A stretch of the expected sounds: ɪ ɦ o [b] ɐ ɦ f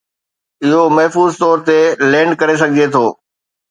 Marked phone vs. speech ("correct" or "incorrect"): incorrect